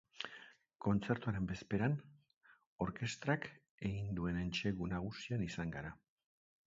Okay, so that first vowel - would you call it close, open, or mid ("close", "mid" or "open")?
mid